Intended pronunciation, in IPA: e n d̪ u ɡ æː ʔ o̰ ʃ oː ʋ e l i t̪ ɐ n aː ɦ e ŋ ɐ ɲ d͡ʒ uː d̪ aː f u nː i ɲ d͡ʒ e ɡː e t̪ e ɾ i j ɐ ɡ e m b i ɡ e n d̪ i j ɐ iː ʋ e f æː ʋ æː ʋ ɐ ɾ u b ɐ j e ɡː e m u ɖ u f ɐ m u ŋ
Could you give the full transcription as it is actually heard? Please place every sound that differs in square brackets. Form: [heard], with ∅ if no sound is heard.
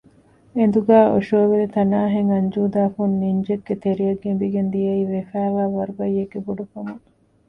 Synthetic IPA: e n d̪ u ɡ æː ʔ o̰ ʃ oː ʋ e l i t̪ ɐ n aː ɦ e ŋ ɐ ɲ d͡ʒ uː d̪ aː f u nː i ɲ d͡ʒ e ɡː e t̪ e ɾ i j ɐ ɡ e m b i ɡ e n d̪ i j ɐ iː ʋ e f æː ʋ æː ʋ ɐ ɾ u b ɐ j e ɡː e [b] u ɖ u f ɐ m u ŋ